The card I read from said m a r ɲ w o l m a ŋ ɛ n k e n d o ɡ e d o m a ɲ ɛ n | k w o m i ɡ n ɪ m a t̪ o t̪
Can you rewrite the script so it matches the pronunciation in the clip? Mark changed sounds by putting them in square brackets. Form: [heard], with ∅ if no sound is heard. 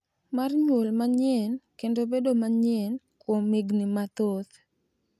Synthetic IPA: m a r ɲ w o l m a [ɲ] ɛ n k e n d o [b] e d o m a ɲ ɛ n | k w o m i ɡ n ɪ m a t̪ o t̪